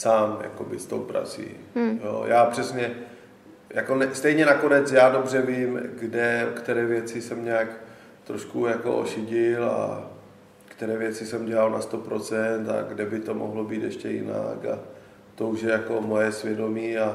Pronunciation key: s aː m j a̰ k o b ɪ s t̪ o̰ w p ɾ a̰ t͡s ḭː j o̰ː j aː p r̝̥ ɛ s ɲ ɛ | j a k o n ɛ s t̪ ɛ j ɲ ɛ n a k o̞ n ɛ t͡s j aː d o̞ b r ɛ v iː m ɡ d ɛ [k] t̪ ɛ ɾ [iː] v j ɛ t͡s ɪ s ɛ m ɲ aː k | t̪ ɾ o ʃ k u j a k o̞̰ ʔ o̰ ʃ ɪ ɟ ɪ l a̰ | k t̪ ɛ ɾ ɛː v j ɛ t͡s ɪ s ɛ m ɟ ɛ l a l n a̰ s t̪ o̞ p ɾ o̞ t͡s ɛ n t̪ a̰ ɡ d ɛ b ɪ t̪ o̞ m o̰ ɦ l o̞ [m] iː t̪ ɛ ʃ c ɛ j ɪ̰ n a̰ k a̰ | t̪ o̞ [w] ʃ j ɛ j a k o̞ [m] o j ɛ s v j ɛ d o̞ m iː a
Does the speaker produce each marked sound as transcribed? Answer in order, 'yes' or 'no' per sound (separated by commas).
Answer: yes, no, no, no, yes